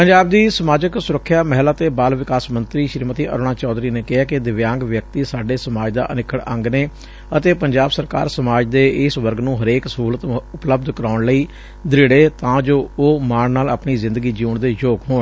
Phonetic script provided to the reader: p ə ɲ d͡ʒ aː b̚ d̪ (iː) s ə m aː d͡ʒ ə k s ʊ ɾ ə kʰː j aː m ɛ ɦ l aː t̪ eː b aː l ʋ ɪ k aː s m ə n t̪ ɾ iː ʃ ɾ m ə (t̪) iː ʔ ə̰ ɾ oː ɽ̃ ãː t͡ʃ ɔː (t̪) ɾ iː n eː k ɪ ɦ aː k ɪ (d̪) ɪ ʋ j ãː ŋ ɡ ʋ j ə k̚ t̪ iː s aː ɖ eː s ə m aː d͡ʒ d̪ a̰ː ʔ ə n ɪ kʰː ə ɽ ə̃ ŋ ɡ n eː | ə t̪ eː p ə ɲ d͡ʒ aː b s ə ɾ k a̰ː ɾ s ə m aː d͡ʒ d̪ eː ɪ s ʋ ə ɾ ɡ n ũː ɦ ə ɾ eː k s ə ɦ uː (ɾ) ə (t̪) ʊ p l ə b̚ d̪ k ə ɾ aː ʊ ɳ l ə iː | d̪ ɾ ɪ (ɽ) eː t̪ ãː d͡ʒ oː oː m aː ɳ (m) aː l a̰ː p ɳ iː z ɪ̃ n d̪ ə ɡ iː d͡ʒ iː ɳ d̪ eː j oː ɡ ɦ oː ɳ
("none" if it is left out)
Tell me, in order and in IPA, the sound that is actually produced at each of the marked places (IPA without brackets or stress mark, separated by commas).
iː, t̪, d̪, d̪, l, t̪, ɽ, n